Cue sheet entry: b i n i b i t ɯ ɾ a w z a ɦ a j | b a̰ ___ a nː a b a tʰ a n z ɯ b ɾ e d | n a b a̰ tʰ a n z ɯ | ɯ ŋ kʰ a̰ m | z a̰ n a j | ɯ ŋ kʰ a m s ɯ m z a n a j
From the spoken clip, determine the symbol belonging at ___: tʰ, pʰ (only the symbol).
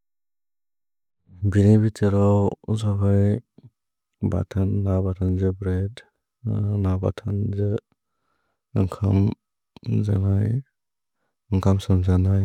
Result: tʰ